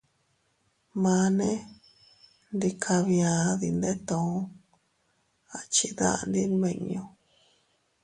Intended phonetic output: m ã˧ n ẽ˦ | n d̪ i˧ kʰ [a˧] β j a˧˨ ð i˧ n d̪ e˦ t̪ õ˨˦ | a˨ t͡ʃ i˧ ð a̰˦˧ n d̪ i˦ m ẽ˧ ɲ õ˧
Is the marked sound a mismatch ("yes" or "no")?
no